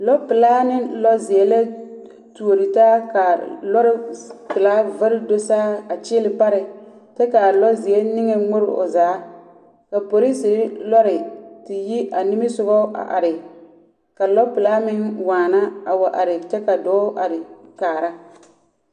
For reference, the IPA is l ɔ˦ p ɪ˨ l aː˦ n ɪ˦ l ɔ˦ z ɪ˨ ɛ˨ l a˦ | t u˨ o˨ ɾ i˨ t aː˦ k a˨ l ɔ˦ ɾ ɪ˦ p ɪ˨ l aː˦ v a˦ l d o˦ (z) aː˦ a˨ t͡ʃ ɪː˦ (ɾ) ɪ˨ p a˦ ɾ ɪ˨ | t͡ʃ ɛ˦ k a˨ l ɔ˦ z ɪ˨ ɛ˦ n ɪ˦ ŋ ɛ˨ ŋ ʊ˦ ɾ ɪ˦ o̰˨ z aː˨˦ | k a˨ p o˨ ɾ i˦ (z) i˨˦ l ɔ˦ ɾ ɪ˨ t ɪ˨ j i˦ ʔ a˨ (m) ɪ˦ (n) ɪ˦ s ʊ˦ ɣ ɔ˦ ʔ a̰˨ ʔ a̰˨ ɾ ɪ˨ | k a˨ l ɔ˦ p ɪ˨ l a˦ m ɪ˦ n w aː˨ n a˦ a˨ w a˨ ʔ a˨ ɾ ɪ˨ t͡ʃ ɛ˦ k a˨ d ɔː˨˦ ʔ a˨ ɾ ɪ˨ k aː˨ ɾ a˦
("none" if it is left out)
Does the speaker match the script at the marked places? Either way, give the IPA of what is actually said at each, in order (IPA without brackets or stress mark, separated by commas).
s, l, s, n, m